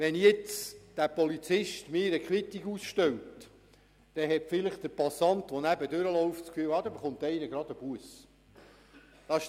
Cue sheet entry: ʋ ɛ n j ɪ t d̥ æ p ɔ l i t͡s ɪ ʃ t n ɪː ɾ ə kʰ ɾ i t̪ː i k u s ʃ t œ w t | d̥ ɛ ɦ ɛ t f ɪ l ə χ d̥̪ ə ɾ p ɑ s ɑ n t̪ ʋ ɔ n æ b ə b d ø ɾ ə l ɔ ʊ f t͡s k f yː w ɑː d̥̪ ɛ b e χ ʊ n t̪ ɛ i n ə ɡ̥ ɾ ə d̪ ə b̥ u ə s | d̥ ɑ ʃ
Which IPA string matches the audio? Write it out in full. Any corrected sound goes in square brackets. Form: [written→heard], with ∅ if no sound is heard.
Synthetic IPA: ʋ ɛ n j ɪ [t→t͡s] d̥ æ p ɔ l i t͡s ɪ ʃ t [n→m] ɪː ɾ ə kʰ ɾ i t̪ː i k u s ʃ t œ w t | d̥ ɛ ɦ ɛ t f ɪ l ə χ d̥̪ ə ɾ p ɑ s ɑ n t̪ ʋ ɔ n æ b ə [b→∅] d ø ɾ ə l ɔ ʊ f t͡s k f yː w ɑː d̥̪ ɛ b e χ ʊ n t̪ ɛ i n ə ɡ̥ ɾ [ə→ɑ] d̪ ə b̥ u ə s | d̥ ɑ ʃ